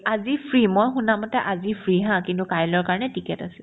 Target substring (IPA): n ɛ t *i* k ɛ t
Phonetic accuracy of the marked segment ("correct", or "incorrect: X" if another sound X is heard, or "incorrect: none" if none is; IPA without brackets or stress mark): correct